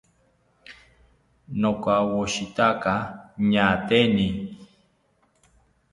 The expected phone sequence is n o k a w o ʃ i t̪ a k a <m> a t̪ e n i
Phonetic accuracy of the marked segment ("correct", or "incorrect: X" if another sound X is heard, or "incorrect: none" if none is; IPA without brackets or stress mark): incorrect: ɲ